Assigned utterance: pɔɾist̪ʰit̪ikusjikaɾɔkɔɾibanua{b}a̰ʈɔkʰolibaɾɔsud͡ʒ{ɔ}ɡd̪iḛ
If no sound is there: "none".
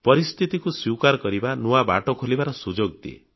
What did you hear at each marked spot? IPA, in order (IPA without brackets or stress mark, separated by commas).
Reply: b, o